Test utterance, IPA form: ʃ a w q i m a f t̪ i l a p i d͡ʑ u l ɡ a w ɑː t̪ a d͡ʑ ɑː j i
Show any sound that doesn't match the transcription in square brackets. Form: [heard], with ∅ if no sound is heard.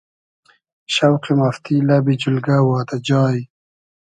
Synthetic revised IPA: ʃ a w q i m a f t̪ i l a [b] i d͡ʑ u l ɡ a w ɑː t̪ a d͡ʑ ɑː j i